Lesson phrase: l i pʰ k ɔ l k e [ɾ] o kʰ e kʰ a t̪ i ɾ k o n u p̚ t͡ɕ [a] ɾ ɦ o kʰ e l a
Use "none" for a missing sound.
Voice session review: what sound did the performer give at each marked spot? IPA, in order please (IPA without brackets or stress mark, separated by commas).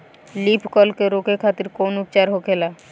ɾ, a